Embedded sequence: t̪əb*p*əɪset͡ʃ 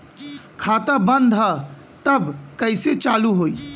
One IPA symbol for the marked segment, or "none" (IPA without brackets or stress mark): k